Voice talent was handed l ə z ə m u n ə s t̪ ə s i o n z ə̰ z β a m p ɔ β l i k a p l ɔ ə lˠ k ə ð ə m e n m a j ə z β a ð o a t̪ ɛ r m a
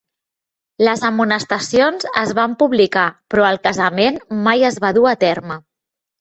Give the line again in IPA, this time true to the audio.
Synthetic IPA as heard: l ə z ə m u n ə s t̪ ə s i o n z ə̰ z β a m p u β l i k a p ɾ ɔ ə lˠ k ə z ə m e n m a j ə z β a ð u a t̪ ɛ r m ə